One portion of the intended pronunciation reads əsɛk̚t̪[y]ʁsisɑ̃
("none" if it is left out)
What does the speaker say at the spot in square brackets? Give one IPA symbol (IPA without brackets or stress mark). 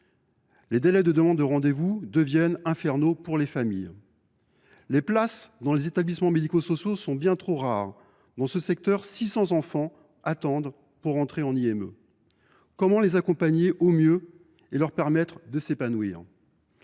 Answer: œ